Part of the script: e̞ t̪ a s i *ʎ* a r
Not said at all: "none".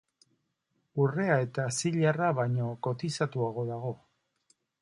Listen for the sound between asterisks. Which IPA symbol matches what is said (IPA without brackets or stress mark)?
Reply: ʎ